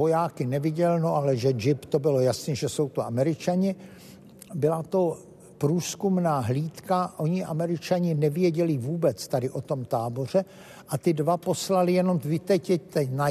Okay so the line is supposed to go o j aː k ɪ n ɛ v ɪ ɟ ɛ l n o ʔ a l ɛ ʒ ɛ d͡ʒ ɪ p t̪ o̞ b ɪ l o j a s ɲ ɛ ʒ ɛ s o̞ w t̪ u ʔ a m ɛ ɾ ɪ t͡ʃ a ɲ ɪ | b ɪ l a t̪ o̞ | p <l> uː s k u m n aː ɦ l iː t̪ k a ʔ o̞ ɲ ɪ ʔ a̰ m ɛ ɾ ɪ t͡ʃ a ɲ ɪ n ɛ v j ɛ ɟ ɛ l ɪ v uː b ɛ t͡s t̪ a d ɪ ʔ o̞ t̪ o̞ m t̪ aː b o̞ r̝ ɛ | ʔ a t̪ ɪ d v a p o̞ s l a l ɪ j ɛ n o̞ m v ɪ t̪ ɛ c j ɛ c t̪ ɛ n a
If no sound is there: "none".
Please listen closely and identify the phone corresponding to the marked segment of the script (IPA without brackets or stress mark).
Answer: ɾ